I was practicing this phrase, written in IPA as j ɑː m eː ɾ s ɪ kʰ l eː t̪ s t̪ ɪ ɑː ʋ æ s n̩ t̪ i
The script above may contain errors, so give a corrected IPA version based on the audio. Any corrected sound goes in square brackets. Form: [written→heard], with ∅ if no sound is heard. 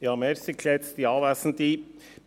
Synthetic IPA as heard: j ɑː m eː ɾ s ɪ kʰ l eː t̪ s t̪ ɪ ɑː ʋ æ s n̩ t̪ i